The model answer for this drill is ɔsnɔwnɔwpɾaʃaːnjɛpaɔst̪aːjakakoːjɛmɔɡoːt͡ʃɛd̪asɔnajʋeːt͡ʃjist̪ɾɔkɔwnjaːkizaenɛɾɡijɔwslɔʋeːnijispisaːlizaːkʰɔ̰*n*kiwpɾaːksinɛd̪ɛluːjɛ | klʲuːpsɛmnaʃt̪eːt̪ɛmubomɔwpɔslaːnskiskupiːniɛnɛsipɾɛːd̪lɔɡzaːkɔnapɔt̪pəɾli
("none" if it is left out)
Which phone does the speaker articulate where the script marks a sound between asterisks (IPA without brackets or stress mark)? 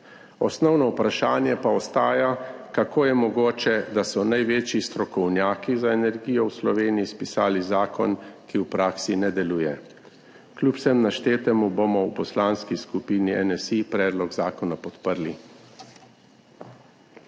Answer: n